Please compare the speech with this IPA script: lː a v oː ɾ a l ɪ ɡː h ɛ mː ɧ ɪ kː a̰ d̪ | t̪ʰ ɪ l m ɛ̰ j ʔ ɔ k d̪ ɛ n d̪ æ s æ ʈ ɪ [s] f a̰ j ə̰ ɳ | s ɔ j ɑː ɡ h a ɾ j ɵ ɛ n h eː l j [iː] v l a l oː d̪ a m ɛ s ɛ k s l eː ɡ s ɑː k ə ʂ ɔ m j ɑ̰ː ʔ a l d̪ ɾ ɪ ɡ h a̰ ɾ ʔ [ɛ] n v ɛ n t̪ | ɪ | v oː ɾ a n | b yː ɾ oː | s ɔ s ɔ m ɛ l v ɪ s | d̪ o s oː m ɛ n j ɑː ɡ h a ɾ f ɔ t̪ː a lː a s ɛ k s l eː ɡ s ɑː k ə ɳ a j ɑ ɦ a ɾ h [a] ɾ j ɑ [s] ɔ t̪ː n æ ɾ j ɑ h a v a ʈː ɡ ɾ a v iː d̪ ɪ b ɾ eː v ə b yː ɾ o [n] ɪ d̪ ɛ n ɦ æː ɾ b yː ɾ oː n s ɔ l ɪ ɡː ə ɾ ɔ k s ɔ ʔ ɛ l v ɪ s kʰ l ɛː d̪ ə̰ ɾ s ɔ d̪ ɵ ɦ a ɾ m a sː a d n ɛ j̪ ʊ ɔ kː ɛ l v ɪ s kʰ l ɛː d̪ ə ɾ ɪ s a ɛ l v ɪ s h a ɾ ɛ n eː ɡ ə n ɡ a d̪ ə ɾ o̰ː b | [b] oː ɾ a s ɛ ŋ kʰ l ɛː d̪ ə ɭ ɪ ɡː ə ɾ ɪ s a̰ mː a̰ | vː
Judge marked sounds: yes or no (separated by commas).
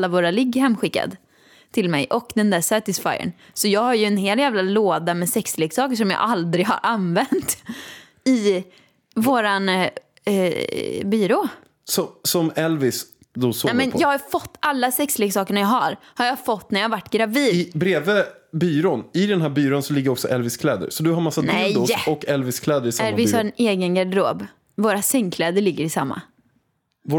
yes, no, no, yes, no, yes, no